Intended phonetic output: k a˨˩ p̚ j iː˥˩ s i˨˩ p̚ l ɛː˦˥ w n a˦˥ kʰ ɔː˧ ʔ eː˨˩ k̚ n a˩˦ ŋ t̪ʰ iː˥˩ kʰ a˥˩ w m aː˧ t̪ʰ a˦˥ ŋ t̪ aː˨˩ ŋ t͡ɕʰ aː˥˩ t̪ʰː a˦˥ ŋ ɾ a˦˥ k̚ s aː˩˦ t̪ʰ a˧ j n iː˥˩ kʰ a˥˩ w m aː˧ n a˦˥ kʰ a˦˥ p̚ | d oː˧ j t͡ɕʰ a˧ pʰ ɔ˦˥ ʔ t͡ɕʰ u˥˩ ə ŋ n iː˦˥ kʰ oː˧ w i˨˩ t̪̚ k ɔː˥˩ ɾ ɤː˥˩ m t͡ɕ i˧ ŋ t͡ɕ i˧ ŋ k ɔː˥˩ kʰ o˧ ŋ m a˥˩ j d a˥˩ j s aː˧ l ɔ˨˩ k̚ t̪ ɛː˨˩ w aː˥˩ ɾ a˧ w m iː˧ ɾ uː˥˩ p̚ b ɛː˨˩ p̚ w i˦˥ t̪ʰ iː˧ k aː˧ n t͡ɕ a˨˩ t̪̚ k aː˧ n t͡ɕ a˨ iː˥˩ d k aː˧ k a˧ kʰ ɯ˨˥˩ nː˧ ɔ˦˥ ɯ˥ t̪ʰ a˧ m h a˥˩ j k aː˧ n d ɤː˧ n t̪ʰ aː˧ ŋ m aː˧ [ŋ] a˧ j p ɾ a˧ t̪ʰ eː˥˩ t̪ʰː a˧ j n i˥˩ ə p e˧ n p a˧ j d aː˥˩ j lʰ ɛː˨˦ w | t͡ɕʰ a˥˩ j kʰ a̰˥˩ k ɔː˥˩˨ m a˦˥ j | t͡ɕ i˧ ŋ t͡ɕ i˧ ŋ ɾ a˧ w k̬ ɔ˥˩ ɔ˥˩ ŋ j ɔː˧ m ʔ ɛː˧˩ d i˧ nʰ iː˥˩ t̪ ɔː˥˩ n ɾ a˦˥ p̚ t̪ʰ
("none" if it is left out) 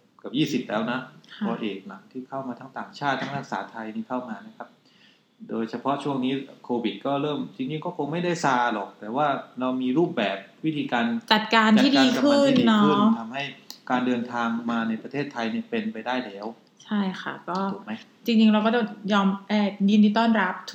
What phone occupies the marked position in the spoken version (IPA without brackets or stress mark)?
n